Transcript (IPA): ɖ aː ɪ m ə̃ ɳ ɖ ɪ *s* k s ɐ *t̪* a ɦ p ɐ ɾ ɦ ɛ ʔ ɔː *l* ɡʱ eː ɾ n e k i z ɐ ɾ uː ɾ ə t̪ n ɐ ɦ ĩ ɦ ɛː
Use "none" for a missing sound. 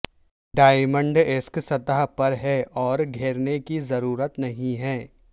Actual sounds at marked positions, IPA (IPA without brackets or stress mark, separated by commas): s, t̪, ɾ